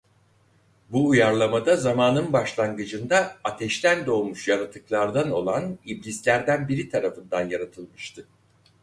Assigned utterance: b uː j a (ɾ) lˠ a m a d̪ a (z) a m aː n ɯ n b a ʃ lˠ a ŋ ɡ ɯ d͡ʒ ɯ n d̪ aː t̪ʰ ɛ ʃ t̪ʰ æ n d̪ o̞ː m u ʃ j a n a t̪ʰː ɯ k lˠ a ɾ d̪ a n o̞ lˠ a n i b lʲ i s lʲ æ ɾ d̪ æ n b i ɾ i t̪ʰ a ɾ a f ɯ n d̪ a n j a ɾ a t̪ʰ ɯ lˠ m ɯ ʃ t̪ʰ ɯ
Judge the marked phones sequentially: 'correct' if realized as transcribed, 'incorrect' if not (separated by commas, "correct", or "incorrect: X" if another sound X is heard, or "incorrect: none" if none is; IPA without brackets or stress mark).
correct, correct